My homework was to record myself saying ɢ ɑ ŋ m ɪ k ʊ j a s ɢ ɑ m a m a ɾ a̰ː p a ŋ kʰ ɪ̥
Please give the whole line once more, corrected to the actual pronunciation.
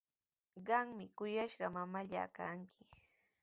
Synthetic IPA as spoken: ɢ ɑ ŋ m ɪ k ʊ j a ʃ ɢ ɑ m a m a ʎ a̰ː k a ŋ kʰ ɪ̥